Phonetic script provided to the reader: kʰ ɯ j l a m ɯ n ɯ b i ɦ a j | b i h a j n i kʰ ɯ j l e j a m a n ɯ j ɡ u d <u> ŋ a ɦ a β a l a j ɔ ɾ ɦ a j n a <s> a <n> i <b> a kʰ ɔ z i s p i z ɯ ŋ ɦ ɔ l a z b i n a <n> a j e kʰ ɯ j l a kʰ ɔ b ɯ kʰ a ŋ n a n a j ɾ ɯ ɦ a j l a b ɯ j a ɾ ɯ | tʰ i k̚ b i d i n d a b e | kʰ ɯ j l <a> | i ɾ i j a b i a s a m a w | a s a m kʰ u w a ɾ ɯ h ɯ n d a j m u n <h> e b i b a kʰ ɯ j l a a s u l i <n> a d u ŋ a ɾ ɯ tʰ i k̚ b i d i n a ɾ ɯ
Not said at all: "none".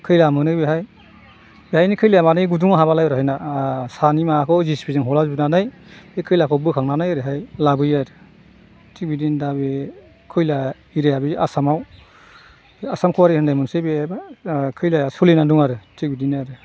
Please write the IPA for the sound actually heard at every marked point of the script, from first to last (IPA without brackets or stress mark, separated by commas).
u, s, n, m, n, a, s, n